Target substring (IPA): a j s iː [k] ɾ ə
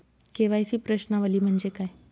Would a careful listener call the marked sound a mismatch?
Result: yes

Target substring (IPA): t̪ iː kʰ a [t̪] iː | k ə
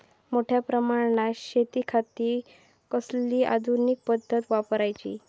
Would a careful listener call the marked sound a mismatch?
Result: no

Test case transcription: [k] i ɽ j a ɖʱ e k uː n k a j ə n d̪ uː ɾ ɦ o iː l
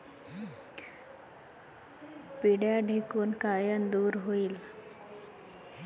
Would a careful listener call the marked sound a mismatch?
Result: yes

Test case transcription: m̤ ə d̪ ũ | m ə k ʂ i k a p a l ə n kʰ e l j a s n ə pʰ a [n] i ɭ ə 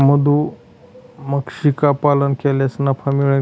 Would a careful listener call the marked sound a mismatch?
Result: yes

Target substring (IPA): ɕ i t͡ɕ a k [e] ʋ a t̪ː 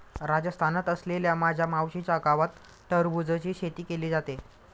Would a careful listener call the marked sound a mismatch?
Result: yes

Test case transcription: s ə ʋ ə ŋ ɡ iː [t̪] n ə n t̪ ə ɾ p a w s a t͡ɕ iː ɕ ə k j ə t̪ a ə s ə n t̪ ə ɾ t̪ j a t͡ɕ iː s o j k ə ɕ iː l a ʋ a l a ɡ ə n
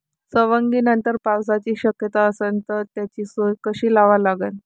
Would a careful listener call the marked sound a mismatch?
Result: yes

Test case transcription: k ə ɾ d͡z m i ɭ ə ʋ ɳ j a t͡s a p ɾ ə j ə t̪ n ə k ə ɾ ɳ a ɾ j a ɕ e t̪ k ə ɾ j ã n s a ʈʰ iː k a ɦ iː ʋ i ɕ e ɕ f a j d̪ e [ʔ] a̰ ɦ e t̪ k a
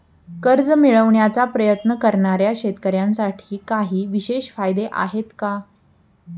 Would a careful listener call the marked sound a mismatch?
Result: no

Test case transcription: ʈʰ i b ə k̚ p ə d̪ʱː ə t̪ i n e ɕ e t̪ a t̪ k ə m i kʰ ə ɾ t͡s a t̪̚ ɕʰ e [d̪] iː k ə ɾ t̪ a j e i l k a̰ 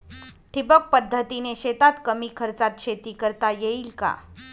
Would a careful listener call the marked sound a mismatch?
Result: yes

